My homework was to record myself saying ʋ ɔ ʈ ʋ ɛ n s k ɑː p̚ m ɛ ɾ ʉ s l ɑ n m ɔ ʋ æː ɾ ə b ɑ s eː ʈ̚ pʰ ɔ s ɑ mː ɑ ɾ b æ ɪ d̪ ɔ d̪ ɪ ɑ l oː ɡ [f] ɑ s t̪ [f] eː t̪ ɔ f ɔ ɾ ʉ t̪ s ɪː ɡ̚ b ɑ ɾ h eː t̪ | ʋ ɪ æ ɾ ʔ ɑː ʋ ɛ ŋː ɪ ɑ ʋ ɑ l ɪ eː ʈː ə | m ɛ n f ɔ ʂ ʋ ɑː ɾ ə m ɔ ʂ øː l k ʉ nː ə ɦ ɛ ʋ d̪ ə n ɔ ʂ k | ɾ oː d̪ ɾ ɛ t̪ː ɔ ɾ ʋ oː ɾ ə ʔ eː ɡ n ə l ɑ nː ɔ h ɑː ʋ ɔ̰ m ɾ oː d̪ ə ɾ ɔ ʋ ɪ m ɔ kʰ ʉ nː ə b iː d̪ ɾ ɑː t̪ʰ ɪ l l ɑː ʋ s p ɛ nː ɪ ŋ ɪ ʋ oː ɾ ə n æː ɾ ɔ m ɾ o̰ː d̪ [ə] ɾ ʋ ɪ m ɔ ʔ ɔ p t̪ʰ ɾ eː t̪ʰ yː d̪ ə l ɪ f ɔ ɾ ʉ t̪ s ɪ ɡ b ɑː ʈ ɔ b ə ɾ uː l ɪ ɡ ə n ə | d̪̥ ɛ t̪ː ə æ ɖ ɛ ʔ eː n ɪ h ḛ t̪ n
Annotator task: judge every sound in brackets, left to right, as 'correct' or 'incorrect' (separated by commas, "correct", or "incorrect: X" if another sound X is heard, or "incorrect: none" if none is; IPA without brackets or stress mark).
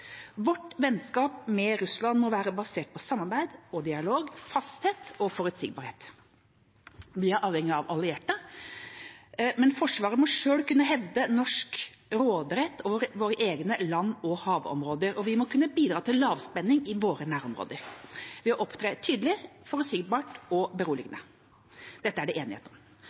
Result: correct, incorrect: h, correct